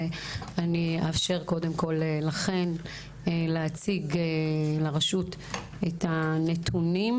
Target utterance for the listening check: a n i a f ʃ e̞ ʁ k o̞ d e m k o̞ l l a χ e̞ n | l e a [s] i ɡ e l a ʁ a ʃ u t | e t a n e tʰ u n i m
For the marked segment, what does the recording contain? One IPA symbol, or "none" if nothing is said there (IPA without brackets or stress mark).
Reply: t͡s